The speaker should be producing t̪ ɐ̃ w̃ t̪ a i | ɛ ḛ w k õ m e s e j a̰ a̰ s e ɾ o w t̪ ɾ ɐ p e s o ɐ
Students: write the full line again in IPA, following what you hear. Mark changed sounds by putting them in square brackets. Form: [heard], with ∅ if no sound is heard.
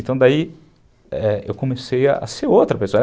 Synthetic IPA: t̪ ɐ̃ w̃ [d̪] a i | ɛ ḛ w k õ m e s e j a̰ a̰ s e ɾ o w t̪ ɾ ɐ p e s o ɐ